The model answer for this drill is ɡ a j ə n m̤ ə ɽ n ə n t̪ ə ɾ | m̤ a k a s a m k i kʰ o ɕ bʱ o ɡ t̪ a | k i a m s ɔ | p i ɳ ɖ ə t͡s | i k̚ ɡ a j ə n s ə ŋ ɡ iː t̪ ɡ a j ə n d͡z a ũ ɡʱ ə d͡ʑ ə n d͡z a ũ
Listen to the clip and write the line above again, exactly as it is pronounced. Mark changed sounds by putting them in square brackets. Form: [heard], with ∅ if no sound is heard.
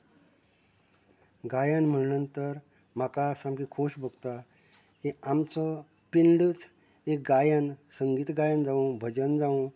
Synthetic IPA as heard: ɡ a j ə n m̤ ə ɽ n ə n t̪ ə ɾ | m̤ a k a s a m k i kʰ o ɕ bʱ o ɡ t̪ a | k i a m [t͡s] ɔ | p i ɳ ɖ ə t͡s | [e] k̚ ɡ a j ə n s ə ŋ ɡ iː t̪ ɡ a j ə n d͡z a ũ [bʱ] ə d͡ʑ ə n d͡z a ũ